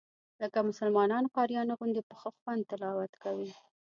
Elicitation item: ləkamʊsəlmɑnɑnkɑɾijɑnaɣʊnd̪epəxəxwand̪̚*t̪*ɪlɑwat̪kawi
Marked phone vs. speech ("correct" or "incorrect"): correct